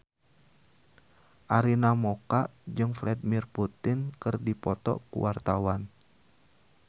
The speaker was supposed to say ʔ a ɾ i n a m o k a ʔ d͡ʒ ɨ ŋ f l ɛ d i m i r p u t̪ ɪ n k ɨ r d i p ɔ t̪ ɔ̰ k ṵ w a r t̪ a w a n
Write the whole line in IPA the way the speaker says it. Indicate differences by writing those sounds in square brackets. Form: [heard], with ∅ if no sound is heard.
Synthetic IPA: ʔ a ɾ i n a m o k a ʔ d͡ʒ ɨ ŋ f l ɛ d i m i r p u t̪ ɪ n k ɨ r d i p ɔ t̪ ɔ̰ k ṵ w a r t̪ a w a n